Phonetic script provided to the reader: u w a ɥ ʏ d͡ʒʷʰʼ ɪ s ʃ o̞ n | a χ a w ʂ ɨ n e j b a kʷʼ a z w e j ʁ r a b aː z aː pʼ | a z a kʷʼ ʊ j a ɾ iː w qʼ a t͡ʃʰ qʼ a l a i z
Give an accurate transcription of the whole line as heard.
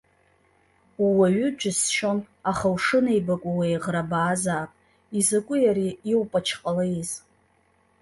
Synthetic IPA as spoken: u w a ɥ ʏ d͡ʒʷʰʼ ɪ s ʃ o̞ n | a χ a w ʂ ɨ n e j b a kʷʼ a w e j ʁ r a b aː z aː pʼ | i z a kʷʼ ʊ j a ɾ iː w pʼ a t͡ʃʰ qʼ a l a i z